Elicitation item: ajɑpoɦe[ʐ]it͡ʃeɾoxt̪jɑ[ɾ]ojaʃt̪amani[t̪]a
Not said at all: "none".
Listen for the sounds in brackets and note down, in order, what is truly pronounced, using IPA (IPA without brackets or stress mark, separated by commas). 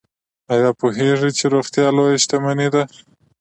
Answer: ʐ, l, d̪